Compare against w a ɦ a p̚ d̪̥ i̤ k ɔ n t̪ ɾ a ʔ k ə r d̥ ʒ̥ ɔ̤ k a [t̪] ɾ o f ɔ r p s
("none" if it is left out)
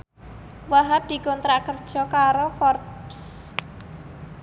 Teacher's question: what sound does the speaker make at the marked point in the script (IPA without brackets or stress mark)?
none